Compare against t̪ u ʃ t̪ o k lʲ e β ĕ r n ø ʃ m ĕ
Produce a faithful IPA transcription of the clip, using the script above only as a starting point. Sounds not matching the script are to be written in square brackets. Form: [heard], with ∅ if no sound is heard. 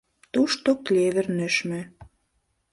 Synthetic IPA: t̪ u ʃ t̪ o k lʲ e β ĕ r n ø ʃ m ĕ